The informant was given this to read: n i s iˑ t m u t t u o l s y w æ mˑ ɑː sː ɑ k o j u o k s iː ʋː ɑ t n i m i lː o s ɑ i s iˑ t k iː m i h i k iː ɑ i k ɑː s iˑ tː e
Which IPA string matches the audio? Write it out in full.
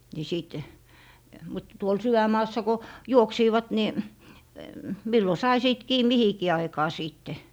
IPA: n i s iˑ t m u t t u o l s y w æ mˑ ɑː sː ɑ k o j u o k s iː ʋ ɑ t n i m i lː o s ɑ i s iˑ t k iː m i h i k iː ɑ i k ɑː s iˑ tː e